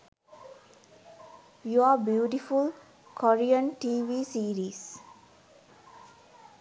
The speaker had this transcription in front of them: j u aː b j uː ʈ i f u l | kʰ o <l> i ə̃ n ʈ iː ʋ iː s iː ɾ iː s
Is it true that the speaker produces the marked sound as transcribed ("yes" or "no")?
no